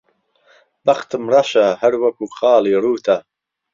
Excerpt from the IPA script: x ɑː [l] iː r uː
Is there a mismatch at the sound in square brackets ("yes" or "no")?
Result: no